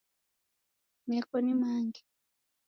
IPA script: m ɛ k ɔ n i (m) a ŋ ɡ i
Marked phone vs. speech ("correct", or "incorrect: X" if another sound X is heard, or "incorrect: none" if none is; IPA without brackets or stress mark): correct